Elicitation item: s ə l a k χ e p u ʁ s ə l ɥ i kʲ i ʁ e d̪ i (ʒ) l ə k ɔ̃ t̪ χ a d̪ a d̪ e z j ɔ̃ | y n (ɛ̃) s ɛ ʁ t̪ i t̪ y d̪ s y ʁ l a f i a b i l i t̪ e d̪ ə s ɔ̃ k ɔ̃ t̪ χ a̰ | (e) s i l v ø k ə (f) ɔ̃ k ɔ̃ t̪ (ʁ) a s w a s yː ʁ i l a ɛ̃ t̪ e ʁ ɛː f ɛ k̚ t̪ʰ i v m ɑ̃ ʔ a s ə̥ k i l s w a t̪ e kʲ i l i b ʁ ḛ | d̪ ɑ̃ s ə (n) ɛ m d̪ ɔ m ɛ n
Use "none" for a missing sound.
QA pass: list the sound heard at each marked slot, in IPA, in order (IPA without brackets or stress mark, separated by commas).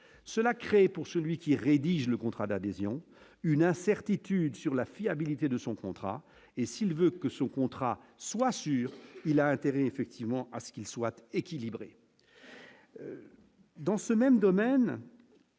ʒ, ɛ̃, e, s, χ, m